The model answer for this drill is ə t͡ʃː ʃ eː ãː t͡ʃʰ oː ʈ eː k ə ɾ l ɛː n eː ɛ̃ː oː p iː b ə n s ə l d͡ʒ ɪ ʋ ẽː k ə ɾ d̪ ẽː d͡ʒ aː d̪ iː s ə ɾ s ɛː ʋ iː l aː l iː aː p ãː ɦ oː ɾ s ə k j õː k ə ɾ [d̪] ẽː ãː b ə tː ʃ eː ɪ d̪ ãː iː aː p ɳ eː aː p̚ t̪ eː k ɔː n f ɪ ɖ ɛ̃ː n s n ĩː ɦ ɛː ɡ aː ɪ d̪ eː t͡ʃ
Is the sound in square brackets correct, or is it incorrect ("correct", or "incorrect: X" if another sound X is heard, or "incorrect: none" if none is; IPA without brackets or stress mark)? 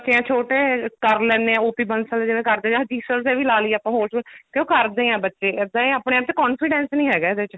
correct